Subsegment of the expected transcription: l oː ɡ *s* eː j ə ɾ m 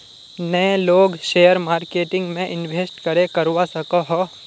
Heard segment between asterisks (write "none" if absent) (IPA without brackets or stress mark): ʃ